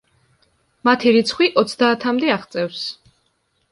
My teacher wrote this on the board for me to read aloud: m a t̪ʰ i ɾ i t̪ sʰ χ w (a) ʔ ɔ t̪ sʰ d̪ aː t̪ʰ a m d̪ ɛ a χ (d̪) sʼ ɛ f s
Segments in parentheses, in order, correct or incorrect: incorrect, incorrect

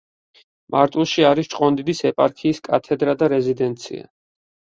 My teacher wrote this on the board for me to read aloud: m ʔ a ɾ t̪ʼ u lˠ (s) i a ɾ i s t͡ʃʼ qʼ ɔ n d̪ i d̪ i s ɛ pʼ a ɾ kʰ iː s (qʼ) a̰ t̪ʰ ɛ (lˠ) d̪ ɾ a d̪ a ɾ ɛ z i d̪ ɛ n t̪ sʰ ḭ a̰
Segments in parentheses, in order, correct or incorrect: incorrect, incorrect, incorrect

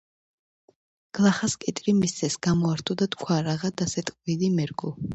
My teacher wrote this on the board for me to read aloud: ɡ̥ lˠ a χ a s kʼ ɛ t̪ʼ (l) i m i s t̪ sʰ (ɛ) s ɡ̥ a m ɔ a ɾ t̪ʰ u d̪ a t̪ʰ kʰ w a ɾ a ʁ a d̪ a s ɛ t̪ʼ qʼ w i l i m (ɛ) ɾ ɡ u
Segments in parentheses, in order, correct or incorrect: incorrect, correct, correct

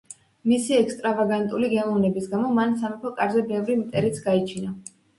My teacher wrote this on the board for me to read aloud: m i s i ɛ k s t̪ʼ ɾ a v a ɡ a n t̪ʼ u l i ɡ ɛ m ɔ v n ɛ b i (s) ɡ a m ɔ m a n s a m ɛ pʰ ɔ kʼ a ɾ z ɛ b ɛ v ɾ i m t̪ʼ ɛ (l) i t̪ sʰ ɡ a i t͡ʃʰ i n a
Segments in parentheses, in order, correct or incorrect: correct, incorrect

